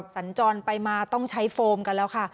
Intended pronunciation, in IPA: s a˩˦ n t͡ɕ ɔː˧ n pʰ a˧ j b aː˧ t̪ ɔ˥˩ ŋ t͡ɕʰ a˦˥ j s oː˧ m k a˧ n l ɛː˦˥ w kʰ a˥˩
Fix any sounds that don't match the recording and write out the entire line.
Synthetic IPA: s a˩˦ n t͡ɕ ɔː˧ n p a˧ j m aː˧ t̪ ɔ˥˩ ŋ t͡ɕʰ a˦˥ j f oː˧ m k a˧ n l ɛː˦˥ w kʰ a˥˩